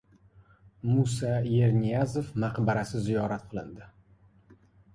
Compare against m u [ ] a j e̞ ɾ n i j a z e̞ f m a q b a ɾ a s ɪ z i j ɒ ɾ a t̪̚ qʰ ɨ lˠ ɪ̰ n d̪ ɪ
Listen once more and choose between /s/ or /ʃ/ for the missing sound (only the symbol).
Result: s